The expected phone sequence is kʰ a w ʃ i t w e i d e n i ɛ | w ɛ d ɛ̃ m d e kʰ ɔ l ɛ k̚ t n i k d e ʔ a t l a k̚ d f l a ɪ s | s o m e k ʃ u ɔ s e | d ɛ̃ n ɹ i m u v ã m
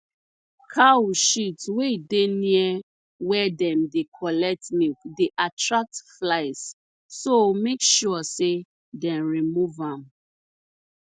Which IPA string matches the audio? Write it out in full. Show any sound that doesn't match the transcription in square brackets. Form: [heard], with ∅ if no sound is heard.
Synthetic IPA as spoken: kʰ a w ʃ i t w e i d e n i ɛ | w ɛ d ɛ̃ m d e kʰ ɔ l ɛ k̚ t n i k d e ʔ a t [ɹ] a k̚ [t] f l a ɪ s | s o m e k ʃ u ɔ s e | d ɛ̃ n ɹ i m u v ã m